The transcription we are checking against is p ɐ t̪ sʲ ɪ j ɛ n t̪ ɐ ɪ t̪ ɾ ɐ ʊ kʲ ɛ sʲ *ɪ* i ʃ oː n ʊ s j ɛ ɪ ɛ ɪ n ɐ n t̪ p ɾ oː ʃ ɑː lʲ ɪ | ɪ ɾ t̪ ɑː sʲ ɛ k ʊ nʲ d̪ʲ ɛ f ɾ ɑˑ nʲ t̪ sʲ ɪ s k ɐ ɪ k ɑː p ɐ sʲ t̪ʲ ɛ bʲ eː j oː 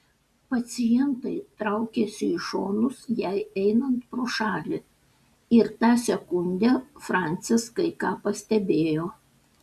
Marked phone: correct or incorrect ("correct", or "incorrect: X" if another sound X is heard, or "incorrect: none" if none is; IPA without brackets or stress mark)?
correct